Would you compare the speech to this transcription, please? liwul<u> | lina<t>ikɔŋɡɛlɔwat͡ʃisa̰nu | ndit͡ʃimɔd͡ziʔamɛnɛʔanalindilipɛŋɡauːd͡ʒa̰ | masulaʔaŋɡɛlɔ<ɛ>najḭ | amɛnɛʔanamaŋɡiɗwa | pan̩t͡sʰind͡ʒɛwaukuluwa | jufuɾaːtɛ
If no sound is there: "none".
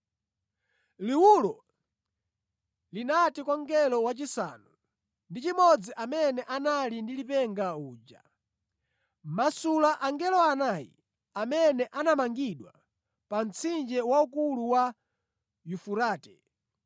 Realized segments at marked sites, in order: ɔ, t, a

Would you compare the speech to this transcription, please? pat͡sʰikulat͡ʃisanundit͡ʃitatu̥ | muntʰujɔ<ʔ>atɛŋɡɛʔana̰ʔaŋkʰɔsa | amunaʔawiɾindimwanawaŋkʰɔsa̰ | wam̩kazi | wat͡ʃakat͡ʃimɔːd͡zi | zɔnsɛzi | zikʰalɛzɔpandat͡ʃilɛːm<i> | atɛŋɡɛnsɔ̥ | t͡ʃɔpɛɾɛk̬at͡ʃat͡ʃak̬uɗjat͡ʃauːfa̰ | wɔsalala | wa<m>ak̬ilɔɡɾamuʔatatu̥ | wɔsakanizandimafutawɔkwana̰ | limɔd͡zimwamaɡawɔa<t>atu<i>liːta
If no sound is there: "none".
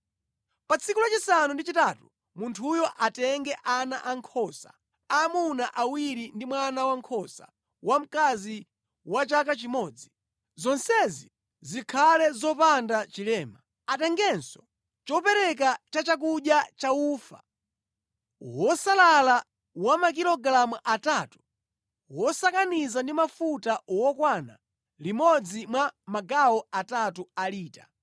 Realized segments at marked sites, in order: ʔ, a, m, t, a

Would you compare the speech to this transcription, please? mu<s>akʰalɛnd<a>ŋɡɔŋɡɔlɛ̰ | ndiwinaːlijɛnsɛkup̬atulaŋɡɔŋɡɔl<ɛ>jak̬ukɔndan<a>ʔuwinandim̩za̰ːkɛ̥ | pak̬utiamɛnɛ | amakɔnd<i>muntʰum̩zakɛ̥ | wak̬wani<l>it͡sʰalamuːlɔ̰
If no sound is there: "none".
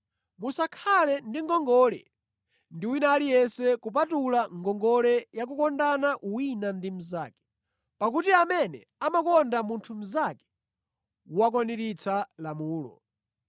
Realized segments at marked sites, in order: s, i, ɛ, a, a, ɾ

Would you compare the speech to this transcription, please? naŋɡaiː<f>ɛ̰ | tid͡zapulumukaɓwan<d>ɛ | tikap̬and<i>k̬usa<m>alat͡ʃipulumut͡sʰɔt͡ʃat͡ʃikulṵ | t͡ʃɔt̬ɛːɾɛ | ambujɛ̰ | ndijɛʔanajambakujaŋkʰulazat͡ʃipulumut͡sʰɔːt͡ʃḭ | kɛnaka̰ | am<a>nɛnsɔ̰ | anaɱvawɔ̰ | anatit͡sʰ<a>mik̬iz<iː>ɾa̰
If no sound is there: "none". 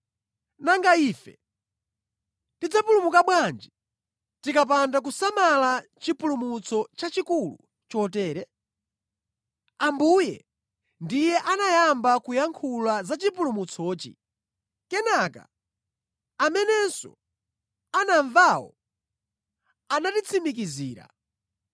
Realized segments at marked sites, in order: f, d͡ʒ, a, m, ɛ, i, iː

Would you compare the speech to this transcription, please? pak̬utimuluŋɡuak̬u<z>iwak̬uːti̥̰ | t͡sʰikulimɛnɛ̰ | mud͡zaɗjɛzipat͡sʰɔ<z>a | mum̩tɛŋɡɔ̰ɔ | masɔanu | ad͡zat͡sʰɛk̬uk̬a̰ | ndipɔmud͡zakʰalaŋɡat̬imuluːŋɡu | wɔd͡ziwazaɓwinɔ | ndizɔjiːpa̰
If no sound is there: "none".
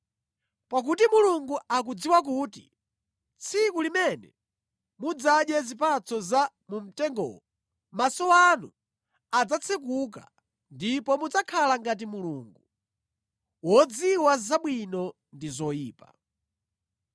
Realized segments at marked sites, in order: d͡z, z

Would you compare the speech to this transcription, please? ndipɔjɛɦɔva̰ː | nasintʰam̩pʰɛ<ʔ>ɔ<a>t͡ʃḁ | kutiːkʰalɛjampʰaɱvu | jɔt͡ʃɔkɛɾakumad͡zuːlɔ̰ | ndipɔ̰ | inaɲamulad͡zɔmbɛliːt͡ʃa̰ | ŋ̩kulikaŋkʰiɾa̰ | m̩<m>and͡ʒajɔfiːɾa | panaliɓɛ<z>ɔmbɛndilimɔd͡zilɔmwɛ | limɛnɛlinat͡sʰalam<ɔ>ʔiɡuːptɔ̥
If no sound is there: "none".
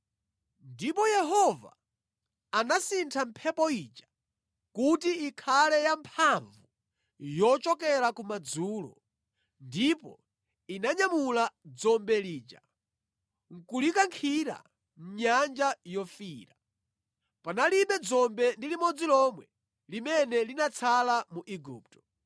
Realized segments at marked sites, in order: p, i, ɲ, d͡z, u

